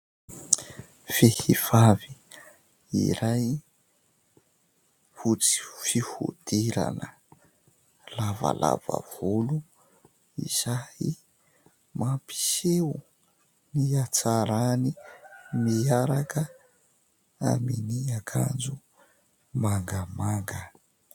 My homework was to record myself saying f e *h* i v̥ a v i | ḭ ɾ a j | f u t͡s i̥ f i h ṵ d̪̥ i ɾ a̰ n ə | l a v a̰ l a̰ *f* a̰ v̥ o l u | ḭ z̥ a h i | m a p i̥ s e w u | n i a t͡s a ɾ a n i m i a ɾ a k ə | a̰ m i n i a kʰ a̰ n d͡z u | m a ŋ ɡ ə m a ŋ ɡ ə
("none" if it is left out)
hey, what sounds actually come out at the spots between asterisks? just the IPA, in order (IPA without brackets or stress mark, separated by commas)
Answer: h, v